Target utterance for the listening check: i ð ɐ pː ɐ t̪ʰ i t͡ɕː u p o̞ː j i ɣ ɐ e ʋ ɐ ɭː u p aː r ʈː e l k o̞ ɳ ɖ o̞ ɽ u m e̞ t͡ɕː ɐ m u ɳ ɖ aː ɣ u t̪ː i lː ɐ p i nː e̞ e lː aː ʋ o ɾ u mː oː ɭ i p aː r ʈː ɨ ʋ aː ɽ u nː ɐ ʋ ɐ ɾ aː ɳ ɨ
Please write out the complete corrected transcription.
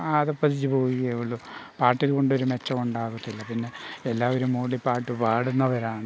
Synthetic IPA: a ð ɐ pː ɐ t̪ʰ i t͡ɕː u p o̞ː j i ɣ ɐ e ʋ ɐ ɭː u p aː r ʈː i l k o̞ ɳ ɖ o̞ ɾ u m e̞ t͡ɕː ɐ m u ɳ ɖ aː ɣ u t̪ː i lː ɐ p i nː e̞ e lː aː ʋ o ɾ u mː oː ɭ i p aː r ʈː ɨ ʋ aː ɽ u nː ɐ ʋ ɐ ɾ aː ɳ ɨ